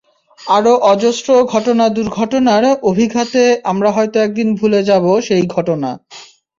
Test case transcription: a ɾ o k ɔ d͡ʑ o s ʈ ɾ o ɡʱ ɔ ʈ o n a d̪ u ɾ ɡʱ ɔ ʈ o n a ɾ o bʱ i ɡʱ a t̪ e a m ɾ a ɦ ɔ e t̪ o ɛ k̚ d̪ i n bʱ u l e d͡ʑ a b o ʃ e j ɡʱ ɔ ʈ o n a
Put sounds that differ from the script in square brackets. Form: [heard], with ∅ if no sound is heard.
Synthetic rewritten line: a ɾ o [ʔ] ɔ d͡ʑ o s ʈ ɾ o ɡʱ ɔ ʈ o n a d̪ u ɾ ɡʱ ɔ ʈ o n a ɾ o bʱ i ɡʱ a t̪ e a m ɾ a ɦ ɔ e t̪ o ɛ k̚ d̪ i n bʱ u l e d͡ʑ a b o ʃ e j ɡʱ ɔ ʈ o n a